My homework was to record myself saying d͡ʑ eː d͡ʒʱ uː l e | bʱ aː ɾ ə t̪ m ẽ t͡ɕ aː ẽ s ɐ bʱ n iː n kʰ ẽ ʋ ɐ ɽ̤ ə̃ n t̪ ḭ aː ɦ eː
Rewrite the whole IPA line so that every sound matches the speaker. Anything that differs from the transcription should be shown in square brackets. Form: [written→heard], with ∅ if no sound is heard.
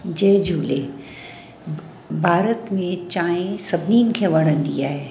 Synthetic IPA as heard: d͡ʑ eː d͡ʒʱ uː l e | bʱ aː ɾ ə t̪ m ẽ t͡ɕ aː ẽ s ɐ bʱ n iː n kʰ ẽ ʋ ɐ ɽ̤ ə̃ n [t̪→d̪] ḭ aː ɦ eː